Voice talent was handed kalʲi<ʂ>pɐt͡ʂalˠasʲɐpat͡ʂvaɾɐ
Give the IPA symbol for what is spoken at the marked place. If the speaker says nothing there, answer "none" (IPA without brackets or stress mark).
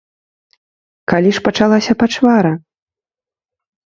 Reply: ʂ